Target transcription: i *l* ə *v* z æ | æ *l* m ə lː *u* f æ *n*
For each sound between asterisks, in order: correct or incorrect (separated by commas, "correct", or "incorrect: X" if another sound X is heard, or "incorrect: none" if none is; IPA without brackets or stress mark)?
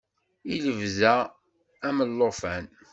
correct, correct, incorrect: none, incorrect: o, correct